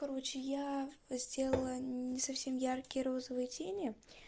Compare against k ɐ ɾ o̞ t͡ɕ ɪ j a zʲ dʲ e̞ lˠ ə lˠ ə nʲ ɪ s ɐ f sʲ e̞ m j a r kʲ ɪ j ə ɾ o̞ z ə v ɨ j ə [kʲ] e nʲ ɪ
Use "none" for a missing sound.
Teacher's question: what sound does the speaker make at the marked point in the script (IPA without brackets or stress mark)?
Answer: tʲ